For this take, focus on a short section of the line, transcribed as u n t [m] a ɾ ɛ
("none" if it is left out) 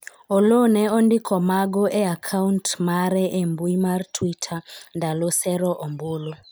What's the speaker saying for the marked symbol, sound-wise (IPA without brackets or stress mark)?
m